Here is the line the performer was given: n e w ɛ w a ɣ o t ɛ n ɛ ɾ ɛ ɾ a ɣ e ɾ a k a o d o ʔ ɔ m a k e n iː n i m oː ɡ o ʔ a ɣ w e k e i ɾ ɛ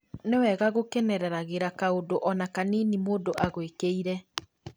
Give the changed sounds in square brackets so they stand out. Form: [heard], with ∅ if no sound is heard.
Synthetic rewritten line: n e w ɛ [ɣ] a ɣ o [k] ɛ n ɛ ɾ ɛ ɾ a ɣ e ɾ a k a o d o ʔ ɔ [n] a k [a] n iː n i m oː [d] o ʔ a ɣ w e k e i ɾ ɛ